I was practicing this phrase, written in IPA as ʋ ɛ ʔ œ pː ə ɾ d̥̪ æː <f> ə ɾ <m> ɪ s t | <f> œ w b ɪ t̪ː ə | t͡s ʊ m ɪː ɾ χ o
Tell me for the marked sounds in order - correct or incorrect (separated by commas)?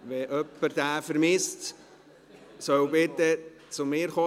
correct, correct, incorrect